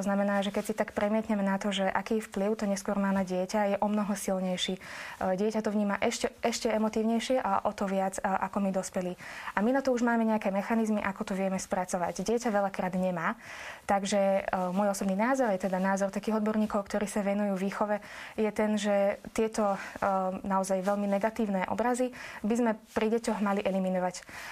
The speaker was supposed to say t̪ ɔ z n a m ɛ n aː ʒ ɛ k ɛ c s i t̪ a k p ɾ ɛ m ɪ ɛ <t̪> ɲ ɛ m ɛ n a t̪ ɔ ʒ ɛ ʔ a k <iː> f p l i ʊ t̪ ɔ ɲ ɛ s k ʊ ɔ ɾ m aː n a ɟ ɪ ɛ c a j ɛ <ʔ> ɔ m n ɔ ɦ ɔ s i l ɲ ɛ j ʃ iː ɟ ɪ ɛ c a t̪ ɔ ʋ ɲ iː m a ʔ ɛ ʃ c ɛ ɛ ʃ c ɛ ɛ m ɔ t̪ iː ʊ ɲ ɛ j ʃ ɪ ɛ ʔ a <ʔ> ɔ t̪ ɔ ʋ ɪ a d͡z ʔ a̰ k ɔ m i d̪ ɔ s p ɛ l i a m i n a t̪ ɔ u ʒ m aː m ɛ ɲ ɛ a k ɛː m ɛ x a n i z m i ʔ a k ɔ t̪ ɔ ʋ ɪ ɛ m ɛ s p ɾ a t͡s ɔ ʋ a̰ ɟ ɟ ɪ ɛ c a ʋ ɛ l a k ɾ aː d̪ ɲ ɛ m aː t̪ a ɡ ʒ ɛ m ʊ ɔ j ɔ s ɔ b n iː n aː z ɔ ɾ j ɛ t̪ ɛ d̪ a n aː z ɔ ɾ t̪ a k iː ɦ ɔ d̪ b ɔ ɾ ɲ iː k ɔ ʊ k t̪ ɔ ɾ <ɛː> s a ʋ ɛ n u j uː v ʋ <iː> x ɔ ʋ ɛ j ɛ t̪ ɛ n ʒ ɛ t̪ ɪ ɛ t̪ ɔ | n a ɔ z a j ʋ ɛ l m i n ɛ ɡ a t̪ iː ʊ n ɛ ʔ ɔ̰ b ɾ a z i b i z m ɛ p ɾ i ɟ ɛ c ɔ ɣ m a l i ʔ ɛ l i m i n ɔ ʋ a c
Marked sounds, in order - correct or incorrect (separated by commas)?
correct, correct, correct, correct, incorrect, correct